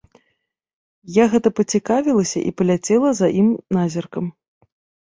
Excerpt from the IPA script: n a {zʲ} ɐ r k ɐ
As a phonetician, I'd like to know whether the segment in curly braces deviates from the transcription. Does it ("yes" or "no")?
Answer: no